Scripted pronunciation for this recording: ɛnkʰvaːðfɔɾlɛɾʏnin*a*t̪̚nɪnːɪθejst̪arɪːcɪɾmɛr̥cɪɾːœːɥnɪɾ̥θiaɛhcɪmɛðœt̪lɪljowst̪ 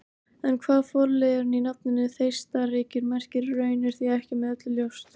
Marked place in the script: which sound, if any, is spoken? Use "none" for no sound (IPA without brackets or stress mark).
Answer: a